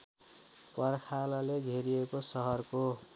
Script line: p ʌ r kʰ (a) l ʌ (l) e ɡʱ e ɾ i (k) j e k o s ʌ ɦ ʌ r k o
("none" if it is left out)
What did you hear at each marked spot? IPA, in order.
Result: a, l, none

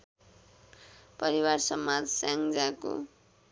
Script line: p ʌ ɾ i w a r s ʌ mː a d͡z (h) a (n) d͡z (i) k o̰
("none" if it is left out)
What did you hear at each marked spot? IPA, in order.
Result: s, ŋ, a

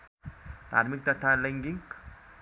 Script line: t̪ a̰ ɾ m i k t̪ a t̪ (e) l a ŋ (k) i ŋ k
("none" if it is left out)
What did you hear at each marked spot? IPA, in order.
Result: a, ɡ

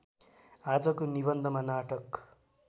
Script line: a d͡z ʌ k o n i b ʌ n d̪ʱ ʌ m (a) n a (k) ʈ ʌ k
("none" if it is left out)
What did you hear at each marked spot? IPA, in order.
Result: a, none

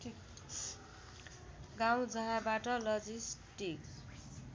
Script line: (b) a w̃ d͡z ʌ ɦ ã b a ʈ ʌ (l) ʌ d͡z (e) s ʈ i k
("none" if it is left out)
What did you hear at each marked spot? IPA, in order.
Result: ɡ, l, i

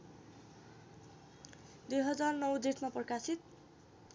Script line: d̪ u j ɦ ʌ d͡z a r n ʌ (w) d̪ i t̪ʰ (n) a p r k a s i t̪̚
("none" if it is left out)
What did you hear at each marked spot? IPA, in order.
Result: w, m

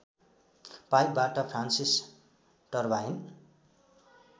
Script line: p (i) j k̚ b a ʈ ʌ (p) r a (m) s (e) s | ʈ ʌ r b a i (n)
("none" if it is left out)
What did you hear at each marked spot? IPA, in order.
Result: a, pʰ, n, i, n

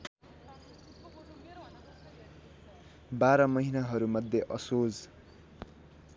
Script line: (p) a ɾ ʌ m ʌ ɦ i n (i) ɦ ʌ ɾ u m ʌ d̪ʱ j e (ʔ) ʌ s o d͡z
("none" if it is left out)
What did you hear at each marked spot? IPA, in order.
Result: b, a, ʔ

